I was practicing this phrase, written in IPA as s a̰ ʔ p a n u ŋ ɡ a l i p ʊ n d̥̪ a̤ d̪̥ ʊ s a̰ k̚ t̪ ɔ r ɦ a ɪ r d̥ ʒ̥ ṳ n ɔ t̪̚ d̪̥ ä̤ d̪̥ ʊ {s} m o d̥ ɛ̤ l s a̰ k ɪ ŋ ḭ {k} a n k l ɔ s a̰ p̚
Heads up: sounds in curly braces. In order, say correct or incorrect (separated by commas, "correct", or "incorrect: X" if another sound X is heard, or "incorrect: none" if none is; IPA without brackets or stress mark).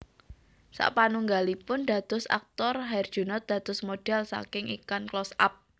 correct, correct